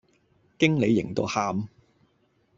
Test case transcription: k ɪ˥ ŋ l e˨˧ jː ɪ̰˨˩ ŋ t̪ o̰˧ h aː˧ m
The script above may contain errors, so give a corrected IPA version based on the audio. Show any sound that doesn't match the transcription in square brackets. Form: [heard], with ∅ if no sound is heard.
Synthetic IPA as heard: k ɪ˥ ŋ l e˨˧ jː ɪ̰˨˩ ŋ t̪ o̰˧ h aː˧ m